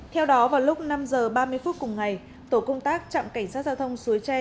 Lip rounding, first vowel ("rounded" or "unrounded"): unrounded